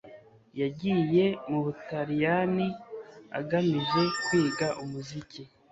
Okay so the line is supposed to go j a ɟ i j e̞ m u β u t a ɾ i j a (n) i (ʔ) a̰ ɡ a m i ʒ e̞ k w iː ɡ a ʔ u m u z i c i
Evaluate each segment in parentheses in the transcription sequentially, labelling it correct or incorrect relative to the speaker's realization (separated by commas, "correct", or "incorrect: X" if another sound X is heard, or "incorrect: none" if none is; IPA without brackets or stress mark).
correct, incorrect: none